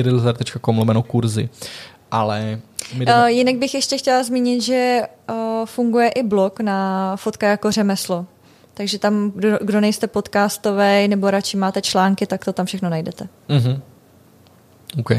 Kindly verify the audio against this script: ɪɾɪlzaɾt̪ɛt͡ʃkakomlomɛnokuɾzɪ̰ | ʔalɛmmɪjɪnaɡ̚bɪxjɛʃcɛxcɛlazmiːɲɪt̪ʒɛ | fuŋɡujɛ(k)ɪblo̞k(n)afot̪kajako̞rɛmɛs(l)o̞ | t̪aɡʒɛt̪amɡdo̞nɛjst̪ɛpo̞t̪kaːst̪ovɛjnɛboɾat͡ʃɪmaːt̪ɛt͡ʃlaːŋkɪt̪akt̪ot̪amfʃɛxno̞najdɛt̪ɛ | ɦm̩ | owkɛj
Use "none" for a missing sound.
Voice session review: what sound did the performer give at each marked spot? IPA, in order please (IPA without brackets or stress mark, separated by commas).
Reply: ʔ, n, l